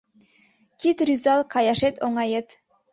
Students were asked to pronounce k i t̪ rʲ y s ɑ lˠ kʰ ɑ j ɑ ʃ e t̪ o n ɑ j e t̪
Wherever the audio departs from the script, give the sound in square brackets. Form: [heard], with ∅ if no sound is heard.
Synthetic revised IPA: k i t̪ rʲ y [z] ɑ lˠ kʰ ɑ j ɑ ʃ e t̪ o [ŋ] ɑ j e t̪